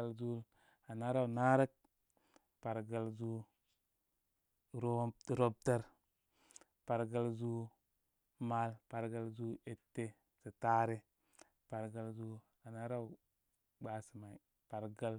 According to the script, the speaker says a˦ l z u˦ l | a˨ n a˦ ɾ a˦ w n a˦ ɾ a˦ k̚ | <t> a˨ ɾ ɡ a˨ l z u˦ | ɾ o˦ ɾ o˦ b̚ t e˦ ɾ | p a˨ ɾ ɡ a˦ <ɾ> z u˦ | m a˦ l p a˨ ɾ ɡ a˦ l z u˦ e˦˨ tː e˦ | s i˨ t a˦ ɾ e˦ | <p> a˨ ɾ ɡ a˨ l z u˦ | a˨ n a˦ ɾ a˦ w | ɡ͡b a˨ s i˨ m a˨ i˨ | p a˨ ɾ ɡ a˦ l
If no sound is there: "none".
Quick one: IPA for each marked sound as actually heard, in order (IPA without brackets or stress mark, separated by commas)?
p, l, p